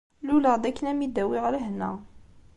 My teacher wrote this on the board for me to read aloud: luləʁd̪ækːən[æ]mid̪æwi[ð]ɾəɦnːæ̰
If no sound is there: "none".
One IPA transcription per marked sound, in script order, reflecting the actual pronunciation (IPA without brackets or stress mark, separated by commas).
æ, ʁ